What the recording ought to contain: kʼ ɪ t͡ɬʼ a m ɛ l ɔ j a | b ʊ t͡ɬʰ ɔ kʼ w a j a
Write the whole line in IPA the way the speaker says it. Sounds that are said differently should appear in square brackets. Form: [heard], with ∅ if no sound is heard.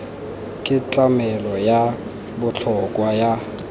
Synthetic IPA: kʼ ɪ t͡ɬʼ a m ɛ l ɔ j a | b ʊ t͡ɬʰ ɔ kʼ w a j a